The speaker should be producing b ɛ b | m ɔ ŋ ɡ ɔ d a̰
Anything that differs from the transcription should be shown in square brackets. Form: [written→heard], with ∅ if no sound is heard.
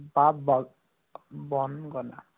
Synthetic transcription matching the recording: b [ɛ→a] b | [m→b] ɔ [ŋ→n] ɡ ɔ [d→n] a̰